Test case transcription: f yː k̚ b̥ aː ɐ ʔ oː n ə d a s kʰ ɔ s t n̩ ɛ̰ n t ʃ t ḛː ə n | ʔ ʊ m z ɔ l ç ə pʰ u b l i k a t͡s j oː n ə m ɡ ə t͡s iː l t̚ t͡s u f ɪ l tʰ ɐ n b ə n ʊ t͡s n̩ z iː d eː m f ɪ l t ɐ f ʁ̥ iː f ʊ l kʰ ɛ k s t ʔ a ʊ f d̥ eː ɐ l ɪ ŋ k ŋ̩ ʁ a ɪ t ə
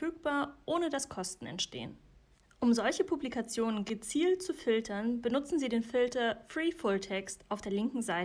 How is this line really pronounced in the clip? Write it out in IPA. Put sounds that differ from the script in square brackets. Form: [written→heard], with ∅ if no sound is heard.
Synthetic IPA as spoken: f yː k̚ b̥ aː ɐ ʔ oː n ə d a s kʰ ɔ s t n̩ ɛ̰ n t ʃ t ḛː ə n | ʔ ʊ m z ɔ l ç ə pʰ u b l i k a t͡s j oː n ə [m→n] ɡ ə t͡s iː l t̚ t͡s u f ɪ l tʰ ɐ n b ə n ʊ t͡s n̩ z iː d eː [m→n] f ɪ l t ɐ f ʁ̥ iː f ʊ l [kʰ→tʰ] ɛ k s t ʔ a ʊ f d̥ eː ɐ l ɪ ŋ k ŋ̩ [ʁ→z] a ɪ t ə